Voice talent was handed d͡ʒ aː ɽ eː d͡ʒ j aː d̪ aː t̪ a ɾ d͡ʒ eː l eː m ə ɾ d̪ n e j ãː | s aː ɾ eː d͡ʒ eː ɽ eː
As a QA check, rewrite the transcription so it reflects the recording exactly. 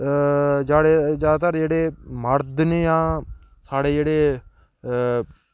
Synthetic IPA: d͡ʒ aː ɽ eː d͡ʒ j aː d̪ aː t̪ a ɾ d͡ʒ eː ɽ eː m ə ɾ d̪ n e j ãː | s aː ɽ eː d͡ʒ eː ɽ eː